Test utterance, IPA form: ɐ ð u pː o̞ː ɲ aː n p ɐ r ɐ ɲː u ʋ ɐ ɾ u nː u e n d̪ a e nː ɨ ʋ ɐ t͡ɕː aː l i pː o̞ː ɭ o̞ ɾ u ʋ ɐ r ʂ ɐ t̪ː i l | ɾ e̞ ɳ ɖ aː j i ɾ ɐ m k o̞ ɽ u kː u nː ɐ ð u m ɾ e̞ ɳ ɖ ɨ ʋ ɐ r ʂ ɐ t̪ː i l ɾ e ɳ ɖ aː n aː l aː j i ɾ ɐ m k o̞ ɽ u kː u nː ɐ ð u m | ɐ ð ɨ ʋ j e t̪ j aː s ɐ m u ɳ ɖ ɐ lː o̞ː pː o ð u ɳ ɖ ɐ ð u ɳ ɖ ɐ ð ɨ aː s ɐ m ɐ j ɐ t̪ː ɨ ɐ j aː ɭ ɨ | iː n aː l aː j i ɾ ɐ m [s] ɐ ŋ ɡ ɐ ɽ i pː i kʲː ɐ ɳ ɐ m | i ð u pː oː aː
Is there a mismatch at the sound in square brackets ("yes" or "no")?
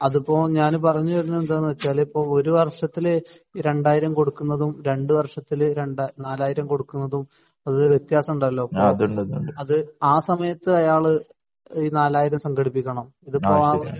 no